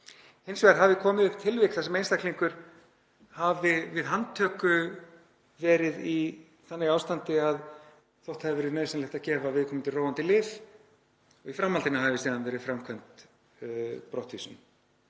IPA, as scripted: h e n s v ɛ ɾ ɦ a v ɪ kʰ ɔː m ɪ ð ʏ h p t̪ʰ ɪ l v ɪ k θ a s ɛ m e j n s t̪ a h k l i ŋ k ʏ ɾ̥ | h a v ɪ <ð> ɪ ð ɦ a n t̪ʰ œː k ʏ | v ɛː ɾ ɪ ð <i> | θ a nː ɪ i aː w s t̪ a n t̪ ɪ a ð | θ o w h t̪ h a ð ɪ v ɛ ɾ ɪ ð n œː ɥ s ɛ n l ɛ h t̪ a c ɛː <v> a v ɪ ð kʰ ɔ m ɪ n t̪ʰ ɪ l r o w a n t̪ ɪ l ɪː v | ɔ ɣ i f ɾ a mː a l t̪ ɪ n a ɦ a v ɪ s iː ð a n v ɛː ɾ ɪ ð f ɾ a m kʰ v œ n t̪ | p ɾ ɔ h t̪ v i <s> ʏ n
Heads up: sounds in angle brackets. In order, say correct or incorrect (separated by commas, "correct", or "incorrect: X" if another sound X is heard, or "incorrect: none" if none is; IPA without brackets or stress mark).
incorrect: v, correct, correct, correct